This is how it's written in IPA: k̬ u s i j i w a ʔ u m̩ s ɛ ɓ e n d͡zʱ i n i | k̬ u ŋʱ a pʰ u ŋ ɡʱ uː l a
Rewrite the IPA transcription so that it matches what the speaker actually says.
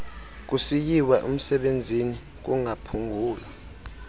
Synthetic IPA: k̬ u s i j i w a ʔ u m̩ s ɛ ɓ e n d͡zʱ i n i | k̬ u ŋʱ a pʰ u ŋ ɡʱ uː l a